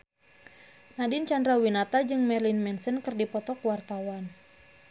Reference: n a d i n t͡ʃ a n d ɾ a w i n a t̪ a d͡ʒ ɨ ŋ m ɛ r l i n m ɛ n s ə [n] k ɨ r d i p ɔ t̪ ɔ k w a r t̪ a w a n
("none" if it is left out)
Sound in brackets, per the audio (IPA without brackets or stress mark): n